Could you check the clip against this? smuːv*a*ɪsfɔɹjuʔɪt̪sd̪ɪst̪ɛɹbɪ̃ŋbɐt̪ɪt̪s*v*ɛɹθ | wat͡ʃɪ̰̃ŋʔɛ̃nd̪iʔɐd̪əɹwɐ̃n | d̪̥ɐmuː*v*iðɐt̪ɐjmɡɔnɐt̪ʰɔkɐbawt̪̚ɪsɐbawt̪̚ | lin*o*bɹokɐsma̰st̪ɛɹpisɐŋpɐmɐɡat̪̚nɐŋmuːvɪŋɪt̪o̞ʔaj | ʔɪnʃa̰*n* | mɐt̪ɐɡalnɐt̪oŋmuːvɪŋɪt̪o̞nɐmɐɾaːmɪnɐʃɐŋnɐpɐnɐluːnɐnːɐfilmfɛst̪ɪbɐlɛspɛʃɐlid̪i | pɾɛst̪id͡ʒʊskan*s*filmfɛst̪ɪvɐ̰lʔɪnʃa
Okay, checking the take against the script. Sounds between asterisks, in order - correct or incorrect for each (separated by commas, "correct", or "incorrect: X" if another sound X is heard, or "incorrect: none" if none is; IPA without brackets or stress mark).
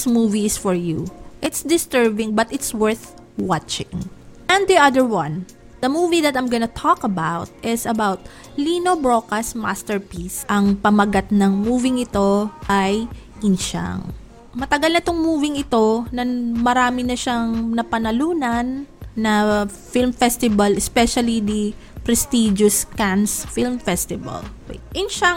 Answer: incorrect: i, incorrect: w, correct, correct, incorrect: ŋ, correct